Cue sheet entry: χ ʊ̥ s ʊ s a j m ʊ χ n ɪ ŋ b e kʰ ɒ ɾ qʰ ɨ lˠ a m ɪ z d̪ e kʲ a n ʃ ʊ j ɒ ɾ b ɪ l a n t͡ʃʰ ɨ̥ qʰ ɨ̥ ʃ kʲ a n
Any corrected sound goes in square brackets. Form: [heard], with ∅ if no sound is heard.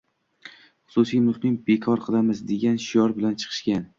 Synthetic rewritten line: χ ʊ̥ s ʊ s [i] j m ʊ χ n ɪ ŋ b e kʰ ɒ ɾ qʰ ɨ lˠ a m ɪ z d̪ e [ɡʲ] a n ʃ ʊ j ɒ ɾ b ɪ l a n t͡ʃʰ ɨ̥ qʰ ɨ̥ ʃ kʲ a n